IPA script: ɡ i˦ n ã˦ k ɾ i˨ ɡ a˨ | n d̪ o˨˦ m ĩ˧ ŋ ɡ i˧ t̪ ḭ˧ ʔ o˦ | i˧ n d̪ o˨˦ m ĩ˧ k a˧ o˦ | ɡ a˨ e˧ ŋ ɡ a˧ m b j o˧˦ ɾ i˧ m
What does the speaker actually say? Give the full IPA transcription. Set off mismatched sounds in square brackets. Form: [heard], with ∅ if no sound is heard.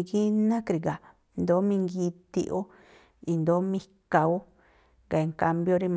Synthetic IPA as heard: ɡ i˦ n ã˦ k ɾ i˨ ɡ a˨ | n d̪ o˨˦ m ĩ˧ ŋ ɡ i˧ t̪ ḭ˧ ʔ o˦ | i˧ n d̪ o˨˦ m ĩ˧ k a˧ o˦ | ɡ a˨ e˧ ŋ [k] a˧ m b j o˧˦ ɾ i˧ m